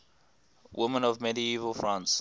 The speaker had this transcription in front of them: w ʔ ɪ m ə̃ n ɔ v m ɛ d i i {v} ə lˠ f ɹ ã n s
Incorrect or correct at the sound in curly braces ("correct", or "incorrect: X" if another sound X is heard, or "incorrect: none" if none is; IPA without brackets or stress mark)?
correct